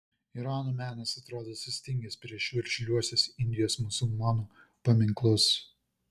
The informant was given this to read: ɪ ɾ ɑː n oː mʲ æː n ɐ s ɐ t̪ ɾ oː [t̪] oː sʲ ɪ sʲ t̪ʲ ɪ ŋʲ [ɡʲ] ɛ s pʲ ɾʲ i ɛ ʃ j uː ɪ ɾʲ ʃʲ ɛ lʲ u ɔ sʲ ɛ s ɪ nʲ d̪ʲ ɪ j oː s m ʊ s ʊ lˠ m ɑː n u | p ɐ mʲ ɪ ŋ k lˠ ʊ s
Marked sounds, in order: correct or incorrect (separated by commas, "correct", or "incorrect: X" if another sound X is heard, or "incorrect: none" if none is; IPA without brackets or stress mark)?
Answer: incorrect: d̪, correct